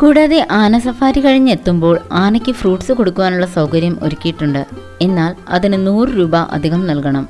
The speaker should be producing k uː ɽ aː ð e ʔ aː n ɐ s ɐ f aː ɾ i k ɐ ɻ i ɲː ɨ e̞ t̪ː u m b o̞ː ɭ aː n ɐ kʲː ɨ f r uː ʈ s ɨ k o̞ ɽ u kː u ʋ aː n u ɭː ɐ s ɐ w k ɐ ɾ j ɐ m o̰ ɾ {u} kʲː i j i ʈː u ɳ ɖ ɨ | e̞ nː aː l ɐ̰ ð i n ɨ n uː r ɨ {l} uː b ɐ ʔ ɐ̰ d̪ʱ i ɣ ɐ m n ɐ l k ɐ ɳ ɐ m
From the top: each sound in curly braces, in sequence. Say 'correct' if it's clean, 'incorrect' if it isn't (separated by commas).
correct, incorrect